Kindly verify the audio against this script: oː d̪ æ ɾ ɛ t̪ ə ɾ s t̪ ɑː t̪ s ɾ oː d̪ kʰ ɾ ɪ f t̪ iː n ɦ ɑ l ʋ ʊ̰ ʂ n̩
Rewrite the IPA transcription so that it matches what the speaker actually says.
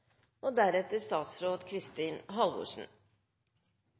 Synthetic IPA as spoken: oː d̪ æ ɾ ɛ t̪ ə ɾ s t̪ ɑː t̪ s ɾ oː d̪ kʰ ɾ ɪ s t̪ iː n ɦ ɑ l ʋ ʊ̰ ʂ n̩